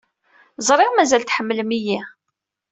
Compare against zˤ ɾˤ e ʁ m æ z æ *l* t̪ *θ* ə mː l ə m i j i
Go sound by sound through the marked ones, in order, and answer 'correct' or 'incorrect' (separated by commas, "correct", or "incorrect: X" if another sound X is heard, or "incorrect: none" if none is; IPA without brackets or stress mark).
correct, incorrect: ħ